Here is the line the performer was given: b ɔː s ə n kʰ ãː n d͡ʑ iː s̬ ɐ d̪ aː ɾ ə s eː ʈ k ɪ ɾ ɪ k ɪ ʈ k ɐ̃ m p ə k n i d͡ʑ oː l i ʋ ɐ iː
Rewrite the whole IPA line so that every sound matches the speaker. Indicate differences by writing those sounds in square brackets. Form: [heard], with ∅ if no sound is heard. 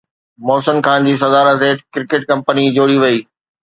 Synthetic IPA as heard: [m] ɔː s ə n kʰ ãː n d͡ʑ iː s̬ ɐ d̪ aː ɾ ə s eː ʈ k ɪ ɾ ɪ k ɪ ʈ k ɐ̃ m p ə [∅] n i d͡ʑ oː [ɽ] i ʋ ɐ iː